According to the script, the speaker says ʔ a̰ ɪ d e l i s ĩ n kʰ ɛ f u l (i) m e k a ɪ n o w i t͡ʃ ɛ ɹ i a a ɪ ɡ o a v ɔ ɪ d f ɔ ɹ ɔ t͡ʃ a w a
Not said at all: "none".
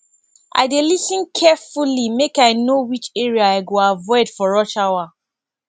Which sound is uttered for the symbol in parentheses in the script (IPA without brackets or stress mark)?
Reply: i